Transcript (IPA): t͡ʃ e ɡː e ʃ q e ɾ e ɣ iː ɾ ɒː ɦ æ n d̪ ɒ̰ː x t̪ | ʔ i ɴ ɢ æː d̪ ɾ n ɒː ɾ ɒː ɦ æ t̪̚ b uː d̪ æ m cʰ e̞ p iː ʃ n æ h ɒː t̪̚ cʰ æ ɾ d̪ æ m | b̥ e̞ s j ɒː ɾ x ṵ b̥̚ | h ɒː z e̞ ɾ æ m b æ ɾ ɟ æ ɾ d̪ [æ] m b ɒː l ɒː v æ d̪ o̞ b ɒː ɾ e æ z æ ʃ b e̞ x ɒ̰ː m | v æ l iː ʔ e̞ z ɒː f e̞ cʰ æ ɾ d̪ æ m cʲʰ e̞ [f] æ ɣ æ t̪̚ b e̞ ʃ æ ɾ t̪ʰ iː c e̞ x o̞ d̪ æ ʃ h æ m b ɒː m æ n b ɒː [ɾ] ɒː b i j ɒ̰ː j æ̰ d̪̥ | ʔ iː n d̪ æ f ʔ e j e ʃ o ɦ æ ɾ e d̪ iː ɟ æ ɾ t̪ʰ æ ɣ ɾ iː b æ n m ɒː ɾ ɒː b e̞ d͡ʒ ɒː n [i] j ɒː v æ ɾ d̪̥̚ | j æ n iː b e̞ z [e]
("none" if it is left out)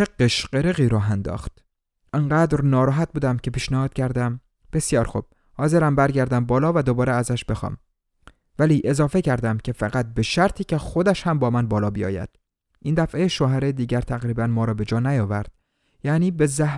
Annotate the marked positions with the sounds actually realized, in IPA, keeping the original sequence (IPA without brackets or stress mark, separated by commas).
æ, f, l, æ, æ